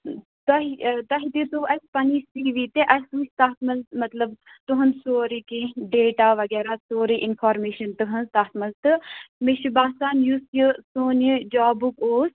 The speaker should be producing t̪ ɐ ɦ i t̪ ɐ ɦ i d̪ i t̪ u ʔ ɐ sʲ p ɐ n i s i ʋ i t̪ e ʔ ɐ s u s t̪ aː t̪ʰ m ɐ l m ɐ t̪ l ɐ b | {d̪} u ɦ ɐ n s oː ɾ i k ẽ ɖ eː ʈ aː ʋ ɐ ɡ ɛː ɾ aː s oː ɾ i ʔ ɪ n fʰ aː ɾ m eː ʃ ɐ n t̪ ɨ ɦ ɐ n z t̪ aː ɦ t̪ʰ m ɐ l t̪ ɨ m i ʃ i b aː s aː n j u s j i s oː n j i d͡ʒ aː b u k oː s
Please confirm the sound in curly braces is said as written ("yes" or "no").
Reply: no